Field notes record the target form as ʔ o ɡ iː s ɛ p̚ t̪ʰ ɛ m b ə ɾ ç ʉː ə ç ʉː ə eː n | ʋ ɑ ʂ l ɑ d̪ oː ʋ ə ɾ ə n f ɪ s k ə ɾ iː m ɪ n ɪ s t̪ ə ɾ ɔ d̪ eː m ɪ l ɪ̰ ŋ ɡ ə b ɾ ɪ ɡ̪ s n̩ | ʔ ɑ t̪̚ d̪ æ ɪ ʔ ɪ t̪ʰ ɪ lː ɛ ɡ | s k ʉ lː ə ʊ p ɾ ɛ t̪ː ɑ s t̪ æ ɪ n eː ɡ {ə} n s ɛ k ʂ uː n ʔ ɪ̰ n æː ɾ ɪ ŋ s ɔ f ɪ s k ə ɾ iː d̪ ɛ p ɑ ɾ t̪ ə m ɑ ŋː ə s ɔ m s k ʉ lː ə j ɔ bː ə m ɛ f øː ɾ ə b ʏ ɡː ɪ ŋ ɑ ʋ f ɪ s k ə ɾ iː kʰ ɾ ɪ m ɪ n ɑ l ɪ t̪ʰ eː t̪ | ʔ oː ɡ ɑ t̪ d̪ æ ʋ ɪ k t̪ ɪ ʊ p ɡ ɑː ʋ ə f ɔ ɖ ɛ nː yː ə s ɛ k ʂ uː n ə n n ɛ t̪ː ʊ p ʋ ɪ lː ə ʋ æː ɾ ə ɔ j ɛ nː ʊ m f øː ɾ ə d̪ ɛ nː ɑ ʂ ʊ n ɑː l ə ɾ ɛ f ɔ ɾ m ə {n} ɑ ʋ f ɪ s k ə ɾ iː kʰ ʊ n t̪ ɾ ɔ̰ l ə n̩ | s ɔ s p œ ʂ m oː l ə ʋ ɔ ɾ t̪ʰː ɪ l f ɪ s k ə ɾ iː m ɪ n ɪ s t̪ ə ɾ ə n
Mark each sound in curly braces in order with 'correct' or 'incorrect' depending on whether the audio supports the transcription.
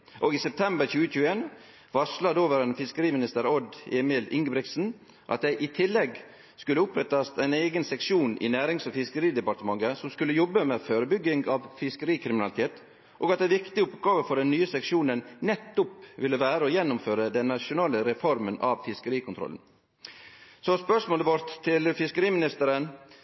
correct, correct

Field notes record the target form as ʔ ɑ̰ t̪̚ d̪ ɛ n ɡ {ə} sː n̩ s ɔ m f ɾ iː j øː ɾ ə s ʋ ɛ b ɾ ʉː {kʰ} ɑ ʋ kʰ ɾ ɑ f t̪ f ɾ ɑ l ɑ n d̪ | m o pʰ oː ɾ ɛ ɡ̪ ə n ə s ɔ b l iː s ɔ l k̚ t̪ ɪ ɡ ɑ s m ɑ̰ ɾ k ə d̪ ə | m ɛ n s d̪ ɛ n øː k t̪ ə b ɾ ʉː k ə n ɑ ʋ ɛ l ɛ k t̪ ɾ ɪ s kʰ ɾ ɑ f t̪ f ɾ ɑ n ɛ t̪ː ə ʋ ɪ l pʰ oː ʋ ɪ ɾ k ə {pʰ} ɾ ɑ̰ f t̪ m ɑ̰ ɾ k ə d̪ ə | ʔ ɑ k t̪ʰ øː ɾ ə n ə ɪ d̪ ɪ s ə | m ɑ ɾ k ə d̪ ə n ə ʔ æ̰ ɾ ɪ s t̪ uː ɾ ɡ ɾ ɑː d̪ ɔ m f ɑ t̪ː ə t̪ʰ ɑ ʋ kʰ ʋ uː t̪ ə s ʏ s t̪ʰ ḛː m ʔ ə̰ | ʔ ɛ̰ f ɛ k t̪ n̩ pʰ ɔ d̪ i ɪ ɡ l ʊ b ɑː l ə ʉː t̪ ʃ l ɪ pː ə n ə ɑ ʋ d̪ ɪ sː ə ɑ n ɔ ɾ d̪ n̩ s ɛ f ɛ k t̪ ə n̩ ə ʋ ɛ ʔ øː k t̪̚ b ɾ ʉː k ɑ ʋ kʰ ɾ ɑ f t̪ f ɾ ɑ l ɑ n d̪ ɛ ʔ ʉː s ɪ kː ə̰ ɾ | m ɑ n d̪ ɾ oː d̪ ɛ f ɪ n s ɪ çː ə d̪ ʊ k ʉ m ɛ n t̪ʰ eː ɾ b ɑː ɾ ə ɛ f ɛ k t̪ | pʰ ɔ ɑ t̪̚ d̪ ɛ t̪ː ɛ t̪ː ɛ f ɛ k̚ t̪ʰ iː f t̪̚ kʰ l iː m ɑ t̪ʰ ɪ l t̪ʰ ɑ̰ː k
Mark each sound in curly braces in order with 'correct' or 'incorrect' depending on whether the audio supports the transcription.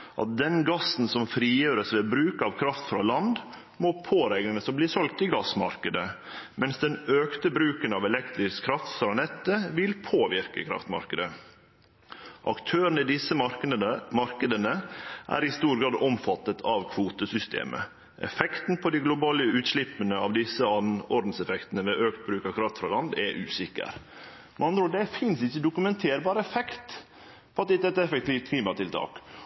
incorrect, incorrect, incorrect

